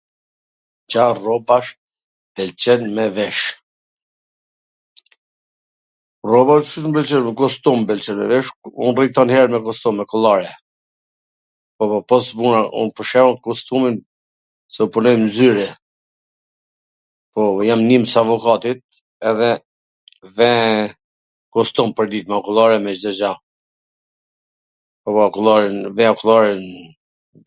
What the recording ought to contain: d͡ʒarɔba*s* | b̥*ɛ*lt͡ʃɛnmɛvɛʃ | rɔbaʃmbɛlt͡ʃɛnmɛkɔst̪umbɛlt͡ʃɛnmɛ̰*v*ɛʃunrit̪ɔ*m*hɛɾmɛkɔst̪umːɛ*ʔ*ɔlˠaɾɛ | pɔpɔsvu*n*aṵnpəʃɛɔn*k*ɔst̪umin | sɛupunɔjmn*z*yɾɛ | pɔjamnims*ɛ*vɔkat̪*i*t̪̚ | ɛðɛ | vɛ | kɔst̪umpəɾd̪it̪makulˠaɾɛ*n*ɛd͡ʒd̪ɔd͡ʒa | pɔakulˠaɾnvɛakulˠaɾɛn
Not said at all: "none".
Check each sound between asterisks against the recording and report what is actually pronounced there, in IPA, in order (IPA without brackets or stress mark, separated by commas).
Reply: ʃ, ɛ, v, n, k, n, k, z, a, i, m